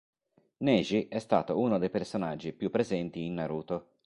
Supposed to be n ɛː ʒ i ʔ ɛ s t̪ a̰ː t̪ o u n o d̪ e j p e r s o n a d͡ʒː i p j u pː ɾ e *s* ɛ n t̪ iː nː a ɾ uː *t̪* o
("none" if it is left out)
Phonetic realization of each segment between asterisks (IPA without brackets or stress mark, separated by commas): z, t̪